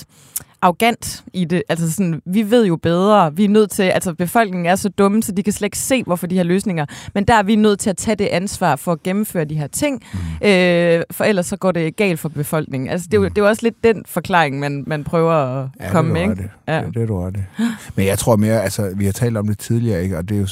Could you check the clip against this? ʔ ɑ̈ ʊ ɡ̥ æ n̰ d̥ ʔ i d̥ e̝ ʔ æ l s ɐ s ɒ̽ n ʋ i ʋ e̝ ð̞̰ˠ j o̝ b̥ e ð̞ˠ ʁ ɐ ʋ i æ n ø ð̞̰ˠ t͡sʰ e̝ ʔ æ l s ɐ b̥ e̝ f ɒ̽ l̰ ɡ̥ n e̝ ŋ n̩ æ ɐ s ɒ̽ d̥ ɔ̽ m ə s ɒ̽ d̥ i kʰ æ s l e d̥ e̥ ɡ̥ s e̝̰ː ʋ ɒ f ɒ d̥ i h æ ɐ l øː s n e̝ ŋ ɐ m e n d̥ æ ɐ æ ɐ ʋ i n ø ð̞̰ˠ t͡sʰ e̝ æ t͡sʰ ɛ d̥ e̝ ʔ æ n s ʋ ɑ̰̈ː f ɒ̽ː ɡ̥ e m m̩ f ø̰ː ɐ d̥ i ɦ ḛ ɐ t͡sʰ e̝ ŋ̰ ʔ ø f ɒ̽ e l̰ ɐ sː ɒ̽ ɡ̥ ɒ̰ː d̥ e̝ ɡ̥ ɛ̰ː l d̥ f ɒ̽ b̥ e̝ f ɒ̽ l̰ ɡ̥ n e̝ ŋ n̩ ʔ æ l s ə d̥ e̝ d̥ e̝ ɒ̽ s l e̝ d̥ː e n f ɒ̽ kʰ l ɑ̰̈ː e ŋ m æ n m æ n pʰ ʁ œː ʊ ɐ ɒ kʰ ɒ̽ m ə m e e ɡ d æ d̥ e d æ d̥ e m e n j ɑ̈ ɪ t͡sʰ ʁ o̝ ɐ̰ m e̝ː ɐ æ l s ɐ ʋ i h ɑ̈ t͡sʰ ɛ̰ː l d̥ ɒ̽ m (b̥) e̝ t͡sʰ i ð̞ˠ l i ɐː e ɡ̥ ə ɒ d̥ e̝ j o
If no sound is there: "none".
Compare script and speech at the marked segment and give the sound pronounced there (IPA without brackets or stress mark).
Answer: d̥